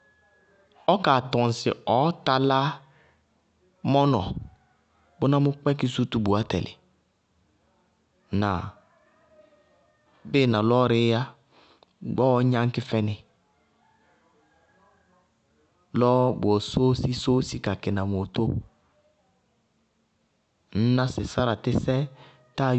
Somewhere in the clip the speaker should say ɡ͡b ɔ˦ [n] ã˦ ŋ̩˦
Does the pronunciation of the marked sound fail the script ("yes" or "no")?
yes